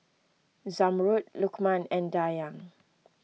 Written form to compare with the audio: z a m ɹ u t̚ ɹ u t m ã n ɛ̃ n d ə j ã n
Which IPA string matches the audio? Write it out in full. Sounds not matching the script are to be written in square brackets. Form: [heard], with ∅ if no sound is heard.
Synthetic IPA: z a m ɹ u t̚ [l] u [k] m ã n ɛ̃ n d [a] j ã [ŋ]

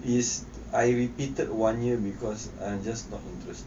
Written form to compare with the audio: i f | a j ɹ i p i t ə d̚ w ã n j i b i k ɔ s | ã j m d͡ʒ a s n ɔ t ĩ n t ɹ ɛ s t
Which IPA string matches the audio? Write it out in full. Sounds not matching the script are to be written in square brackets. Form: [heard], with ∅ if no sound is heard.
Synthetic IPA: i [s] | a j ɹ i p i t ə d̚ w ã n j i b i k ɔ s | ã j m d͡ʒ a s n ɔ t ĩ n t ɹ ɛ s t

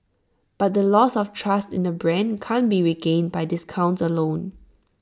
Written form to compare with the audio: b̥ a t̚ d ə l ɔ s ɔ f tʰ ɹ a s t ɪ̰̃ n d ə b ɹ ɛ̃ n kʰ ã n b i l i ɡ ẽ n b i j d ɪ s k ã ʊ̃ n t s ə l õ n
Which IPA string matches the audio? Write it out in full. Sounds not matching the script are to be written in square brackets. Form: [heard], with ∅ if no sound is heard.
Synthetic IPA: b̥ a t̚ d ə l ɔ s ɔ f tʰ ɹ a s t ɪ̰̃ n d ə b ɹ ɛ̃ n kʰ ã n b i [ɹ] i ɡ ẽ n b [a] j d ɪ s [kʰ] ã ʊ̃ n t s ə l õ n

